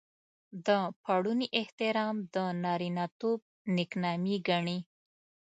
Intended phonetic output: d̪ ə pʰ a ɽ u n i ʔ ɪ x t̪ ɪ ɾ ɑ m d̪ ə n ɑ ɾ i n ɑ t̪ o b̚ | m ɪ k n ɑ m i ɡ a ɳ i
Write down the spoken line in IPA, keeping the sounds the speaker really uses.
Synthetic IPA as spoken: d̪ ə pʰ a ɽ u n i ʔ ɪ h t̪ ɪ ɾ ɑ m d̪ ə n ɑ ɾ i n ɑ t̪ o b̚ | n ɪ k n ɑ m i ɡ a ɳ i